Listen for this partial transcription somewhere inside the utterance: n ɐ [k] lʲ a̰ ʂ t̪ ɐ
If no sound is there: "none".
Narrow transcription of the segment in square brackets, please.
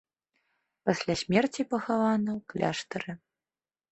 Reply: k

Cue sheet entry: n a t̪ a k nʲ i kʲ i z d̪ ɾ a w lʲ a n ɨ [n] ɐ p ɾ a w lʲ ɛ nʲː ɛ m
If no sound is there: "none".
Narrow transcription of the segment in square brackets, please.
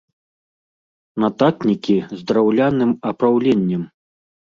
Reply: m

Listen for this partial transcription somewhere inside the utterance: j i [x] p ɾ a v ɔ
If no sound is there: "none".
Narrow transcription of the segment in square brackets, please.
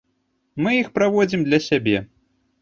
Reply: x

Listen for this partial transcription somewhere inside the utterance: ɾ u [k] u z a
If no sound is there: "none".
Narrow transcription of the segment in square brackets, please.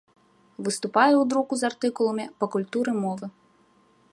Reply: k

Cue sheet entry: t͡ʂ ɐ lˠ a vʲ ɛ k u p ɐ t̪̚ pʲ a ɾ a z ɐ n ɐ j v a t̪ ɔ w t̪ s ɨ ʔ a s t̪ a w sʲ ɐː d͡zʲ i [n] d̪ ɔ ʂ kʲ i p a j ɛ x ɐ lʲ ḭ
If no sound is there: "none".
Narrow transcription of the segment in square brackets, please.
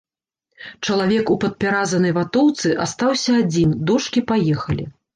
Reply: n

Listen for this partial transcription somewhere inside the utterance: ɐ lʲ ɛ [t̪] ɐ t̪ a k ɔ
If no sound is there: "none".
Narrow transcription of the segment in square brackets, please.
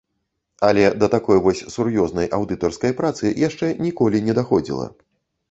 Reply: d̪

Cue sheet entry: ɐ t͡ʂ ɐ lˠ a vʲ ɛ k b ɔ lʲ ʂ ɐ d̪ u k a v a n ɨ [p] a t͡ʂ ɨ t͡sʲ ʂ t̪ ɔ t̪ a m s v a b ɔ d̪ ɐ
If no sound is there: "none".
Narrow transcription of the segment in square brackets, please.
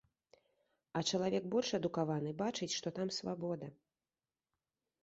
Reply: b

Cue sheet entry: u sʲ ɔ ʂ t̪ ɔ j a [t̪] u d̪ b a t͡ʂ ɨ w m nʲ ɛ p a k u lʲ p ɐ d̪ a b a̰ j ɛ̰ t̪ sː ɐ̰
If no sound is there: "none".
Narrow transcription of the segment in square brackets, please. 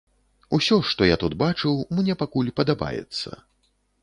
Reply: t̪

